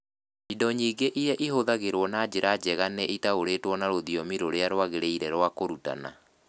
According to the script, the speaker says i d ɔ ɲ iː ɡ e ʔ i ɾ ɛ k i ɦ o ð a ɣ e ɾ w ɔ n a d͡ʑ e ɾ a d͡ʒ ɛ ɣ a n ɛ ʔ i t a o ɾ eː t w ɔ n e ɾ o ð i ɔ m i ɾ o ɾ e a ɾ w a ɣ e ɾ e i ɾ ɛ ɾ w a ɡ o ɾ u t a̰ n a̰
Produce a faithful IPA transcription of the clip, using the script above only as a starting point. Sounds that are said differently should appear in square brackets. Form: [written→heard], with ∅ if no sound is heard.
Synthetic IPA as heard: i d ɔ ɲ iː ɡ e ʔ i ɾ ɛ [k→ʔ] i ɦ o ð a ɣ e ɾ w ɔ n a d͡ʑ e ɾ a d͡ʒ ɛ ɣ a n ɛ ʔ i t a o ɾ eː t w ɔ n [e→a] ɾ o ð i ɔ m i ɾ o ɾ e a ɾ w a ɣ e ɾ e i ɾ ɛ ɾ w a [ɡ→k] o ɾ u t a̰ n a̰

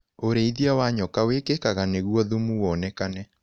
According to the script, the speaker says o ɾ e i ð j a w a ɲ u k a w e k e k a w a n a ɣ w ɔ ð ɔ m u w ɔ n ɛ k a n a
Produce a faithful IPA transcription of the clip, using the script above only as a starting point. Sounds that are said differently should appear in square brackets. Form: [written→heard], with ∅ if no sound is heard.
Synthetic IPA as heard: o ɾ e i ð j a w a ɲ [u→ɔ] k a w e k e k a [w→ɣ] a n [a→e] ɣ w ɔ ð [ɔ→u] m u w ɔ n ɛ k a n [a→ɛ]

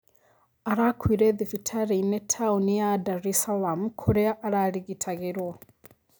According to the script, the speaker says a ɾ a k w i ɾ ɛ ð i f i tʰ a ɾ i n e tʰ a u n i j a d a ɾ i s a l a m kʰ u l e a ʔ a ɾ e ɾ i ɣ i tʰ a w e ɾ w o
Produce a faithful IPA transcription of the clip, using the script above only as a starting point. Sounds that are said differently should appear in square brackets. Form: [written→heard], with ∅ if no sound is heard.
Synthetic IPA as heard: a ɾ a k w i ɾ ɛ ð i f i tʰ a ɾ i n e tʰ a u n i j a d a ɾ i s a l a m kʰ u [l→ɾ] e a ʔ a ɾ [e→a] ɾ i ɣ i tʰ a [w→ɣ] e ɾ w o

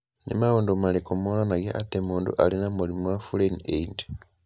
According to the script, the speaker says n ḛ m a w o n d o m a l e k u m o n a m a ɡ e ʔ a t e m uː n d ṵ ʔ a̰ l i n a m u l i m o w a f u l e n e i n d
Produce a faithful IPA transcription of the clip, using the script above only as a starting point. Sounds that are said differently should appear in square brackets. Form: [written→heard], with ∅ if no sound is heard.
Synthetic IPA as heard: n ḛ m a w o n d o m a l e k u m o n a [m→n] a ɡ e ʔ a t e m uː n d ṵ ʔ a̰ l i n a m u l i m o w a f u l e n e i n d

